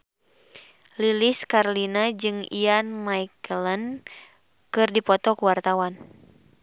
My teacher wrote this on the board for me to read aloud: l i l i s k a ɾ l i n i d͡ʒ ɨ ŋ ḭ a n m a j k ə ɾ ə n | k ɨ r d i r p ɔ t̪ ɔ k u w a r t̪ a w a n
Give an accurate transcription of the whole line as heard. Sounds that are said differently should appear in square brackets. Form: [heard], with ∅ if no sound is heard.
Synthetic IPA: l i l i s k a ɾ l i n [a] d͡ʒ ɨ ŋ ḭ a n m a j k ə [l] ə n | k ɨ r d i [∅] p ɔ t̪ ɔ k u w a r t̪ a w a n